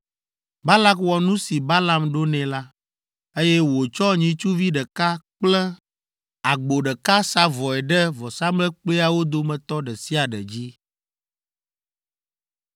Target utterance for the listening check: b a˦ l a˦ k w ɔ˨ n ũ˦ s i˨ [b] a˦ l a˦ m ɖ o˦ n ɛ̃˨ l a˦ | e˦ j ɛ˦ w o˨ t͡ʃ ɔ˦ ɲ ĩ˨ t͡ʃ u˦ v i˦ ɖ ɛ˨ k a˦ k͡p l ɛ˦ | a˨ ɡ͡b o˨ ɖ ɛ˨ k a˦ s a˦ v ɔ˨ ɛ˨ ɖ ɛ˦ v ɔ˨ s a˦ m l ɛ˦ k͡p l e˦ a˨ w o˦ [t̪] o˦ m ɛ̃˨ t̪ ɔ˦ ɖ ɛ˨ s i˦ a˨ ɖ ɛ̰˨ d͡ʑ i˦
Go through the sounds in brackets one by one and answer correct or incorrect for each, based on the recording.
correct, incorrect

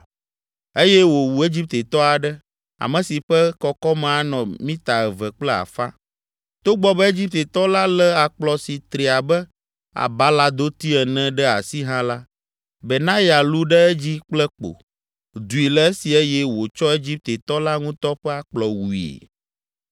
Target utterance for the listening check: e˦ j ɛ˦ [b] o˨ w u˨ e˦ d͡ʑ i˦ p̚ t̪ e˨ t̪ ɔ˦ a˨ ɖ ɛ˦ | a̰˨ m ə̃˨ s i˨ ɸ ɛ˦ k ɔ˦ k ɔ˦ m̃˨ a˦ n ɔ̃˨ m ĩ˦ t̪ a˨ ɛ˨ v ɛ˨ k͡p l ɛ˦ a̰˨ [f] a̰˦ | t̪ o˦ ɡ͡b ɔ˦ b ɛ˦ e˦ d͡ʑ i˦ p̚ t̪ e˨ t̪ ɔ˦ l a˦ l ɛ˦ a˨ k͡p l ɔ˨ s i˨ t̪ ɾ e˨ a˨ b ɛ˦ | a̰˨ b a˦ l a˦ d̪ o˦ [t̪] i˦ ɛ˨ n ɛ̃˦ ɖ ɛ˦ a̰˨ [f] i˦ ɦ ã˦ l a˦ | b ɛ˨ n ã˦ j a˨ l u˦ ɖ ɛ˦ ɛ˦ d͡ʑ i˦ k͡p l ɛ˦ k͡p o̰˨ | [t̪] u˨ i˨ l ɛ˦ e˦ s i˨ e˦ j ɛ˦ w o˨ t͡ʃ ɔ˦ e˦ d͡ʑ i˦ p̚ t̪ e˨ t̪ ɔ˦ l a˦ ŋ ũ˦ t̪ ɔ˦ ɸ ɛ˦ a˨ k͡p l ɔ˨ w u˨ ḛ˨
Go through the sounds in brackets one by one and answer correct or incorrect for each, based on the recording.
incorrect, correct, correct, incorrect, incorrect

